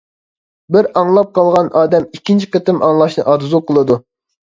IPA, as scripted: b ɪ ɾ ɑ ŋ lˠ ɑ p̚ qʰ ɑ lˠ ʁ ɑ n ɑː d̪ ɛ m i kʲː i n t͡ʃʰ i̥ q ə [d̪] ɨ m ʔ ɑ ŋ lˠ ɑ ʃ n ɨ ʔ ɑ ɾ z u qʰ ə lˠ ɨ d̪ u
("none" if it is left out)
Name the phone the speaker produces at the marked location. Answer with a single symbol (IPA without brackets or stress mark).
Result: t̪